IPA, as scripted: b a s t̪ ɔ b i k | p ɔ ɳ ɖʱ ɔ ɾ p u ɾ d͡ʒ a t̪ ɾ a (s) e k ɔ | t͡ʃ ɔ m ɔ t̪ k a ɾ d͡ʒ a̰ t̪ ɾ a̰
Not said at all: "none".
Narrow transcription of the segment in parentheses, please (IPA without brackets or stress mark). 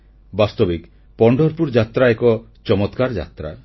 none